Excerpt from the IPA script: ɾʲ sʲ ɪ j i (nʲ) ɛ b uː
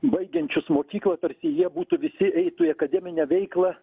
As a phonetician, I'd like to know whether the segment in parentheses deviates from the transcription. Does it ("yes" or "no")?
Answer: yes